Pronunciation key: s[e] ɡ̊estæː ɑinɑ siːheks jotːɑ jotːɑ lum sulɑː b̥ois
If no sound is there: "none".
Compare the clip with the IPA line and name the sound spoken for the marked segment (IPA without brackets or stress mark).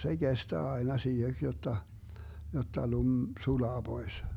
e